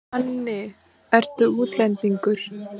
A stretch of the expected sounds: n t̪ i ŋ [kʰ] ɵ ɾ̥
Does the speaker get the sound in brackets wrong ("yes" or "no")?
yes